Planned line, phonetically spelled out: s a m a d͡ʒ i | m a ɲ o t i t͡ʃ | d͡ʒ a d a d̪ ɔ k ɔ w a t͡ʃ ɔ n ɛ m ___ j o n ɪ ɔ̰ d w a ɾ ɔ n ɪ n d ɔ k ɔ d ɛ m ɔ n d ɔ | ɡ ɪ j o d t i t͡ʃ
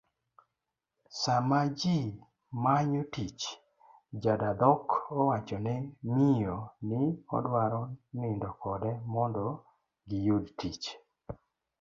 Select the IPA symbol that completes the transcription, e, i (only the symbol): i